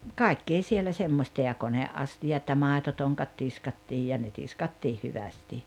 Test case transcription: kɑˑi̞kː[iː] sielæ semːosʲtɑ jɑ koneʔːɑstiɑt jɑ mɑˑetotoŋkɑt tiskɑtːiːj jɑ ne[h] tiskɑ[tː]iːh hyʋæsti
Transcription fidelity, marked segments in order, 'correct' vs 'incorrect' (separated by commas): incorrect, incorrect, correct